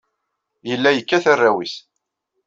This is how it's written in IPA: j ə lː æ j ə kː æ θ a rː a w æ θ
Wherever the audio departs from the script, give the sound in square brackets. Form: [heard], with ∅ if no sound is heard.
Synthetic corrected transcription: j ə lː æ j ə kː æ θ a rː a w [i] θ

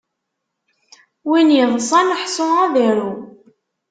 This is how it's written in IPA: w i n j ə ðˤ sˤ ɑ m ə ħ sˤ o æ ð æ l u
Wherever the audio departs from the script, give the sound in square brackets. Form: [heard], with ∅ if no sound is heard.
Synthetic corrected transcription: w i n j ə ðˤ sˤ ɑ [n] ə ħ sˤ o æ ð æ [ɾ] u

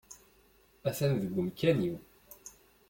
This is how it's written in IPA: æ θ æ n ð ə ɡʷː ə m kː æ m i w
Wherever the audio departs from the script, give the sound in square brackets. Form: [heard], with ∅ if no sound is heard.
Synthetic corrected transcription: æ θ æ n ð ə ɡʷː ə m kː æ [n] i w

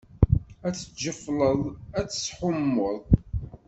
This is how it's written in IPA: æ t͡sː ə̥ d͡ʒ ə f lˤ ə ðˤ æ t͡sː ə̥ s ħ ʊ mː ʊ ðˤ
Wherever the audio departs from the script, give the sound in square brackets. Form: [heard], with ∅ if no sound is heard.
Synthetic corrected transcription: æ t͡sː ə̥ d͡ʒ ə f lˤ ə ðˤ æ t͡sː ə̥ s ħ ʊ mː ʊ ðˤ

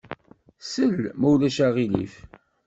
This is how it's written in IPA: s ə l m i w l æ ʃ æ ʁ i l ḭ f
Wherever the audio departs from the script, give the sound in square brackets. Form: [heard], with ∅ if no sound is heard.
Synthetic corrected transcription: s ə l m [æ] w l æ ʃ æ ʁ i l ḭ f

